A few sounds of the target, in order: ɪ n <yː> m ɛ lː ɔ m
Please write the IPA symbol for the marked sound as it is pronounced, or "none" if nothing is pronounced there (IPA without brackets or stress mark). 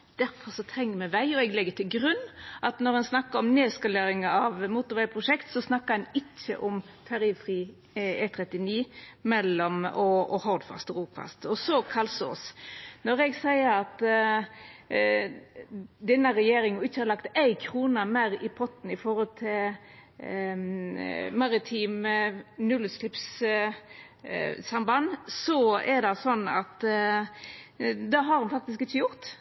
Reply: iː